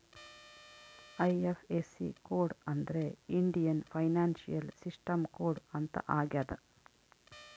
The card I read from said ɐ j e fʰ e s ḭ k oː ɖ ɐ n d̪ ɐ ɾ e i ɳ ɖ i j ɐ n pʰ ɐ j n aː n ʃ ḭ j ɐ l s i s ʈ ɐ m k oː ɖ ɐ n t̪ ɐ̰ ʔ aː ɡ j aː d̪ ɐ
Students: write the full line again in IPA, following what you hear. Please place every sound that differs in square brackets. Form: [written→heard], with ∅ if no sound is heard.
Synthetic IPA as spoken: ɐ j e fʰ e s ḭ k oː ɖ ɐ n d̪ ɐ ɾ e i ɳ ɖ i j ɐ n pʰ ɐ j n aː n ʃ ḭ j ɐ l s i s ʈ ɐ m k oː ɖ ɐ n t̪ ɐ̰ ʔ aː ɡ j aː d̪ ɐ